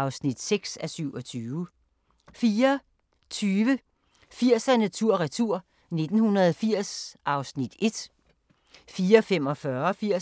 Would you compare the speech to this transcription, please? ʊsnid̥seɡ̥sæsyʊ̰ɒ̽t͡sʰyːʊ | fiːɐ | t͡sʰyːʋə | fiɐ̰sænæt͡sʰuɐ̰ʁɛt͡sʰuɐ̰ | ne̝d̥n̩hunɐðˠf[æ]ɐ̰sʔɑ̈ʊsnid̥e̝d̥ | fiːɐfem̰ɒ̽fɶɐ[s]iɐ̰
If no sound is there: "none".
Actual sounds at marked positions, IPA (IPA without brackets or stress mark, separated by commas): i, f